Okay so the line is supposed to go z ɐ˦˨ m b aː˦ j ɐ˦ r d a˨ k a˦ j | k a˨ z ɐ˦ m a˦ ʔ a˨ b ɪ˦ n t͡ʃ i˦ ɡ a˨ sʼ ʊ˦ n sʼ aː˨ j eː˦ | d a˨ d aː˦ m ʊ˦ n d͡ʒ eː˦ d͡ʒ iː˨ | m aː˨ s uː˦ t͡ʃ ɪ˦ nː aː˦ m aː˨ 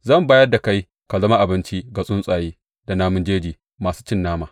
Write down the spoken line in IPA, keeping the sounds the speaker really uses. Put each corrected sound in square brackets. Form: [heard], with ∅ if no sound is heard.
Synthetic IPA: z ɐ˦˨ m b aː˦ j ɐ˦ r d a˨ k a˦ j | k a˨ z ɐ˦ m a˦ ʔ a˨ b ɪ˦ n t͡ʃ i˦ ɡ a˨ sʼ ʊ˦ n sʼ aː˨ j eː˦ | d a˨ [n] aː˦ m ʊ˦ n d͡ʒ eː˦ d͡ʒ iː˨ | m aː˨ s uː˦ t͡ʃ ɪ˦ nː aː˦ m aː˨

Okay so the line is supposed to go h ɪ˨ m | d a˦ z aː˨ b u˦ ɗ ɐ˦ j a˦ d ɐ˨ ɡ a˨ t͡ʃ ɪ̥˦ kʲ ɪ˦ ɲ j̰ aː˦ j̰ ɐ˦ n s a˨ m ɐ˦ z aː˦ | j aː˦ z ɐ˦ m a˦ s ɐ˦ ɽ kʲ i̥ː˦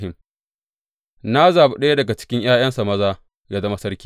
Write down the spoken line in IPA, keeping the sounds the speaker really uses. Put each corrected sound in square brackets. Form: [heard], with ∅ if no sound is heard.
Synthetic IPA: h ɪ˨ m | [n] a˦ z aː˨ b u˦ ɗ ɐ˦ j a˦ d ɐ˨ ɡ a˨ t͡ʃ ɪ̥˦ kʲ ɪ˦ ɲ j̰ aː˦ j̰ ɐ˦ n s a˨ m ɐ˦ z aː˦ | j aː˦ z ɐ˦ m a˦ s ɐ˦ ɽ kʲ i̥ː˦

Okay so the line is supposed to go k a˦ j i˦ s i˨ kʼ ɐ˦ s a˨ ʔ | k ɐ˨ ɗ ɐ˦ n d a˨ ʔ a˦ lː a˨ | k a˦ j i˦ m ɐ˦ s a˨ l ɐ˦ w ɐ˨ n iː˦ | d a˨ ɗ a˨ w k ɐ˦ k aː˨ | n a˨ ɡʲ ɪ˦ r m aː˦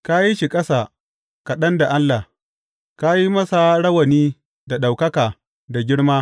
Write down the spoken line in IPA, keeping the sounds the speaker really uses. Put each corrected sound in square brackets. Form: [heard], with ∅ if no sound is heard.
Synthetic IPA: k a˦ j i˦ [ʃ] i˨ kʼ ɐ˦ s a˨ [∅] | k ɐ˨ ɗ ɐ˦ n d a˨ ʔ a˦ lː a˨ | k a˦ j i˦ m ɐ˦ s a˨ [ɽ] ɐ˦ w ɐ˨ n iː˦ | d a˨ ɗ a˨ w k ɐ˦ k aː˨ | [d] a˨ ɡʲ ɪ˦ [ɽ] m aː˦

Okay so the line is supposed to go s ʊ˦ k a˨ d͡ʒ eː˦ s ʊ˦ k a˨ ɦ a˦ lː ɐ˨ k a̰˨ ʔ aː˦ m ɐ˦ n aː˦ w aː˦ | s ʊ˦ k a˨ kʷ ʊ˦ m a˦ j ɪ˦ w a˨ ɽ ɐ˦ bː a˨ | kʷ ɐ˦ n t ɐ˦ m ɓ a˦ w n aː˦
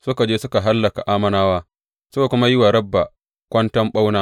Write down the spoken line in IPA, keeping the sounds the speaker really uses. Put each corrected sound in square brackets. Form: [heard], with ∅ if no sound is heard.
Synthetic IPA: s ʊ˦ k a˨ d͡ʒ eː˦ s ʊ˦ k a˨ ɦ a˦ lː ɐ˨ k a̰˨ ʔ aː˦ m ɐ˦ n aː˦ w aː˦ | s ʊ˦ k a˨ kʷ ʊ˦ m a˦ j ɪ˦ w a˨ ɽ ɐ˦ bː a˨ | kʷ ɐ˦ n t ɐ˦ m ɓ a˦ w n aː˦

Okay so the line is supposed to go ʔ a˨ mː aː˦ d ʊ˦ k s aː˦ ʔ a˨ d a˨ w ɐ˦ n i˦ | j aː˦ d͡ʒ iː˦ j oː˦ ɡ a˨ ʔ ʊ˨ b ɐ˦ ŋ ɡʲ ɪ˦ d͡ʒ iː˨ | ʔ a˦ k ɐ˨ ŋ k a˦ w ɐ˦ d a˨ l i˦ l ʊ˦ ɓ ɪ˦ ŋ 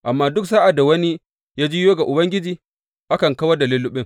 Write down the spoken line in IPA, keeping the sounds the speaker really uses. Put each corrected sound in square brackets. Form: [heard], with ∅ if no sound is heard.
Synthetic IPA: ʔ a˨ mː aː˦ d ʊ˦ k s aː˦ ʔ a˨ d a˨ w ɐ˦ n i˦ | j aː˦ d͡ʒ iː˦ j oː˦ ɡ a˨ ʔ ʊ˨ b ɐ˦ ŋ ɡʲ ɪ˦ d͡ʒ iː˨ | ʔ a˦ k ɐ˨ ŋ k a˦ w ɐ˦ d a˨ l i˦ l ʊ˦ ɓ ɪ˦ ŋ

